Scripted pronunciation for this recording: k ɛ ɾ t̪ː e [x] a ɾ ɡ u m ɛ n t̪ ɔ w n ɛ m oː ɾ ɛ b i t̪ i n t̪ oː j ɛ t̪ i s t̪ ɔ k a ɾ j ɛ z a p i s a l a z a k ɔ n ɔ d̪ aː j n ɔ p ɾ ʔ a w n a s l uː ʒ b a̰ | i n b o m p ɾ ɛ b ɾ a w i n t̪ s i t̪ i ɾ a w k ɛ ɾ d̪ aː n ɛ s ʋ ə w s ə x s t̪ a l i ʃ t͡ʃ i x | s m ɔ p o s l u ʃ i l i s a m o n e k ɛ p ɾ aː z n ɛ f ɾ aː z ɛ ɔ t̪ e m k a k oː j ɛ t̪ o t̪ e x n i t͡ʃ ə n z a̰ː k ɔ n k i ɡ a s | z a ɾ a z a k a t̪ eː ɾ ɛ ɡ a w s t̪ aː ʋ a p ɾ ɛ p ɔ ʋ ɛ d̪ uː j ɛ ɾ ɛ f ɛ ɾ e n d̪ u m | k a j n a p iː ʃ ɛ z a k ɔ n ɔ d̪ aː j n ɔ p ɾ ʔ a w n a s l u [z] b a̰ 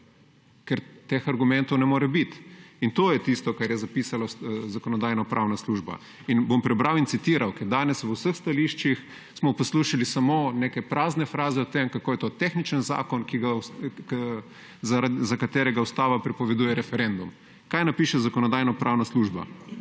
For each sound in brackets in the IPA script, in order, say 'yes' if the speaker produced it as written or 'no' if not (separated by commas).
yes, no